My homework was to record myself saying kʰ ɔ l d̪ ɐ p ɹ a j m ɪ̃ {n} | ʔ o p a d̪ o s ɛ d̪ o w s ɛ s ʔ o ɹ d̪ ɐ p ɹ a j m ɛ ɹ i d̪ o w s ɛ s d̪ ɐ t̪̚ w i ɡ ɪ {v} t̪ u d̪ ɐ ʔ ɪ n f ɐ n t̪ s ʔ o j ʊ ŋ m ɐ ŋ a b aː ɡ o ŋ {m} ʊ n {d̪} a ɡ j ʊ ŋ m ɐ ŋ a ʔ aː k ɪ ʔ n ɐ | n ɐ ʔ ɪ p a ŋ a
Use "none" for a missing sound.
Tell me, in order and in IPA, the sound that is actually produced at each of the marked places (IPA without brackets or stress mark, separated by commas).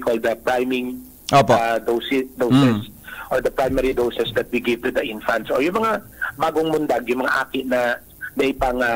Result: ŋ, v, m, d̪